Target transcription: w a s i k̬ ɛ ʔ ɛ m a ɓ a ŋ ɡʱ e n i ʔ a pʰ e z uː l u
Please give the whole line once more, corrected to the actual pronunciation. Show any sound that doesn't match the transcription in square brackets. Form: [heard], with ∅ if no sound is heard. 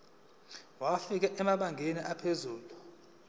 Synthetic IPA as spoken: w a [f] i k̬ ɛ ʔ ɛ m a ɓ a ŋ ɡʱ e n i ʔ a pʰ e z uː l u